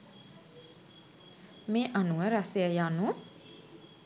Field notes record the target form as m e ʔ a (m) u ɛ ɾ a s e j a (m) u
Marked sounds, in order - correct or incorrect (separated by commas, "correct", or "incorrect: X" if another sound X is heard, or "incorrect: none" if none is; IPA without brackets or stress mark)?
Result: incorrect: n, incorrect: n